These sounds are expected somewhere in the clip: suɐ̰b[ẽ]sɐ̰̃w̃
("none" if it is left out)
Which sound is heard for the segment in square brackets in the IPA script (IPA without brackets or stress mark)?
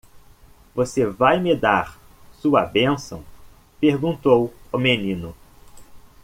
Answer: ẽ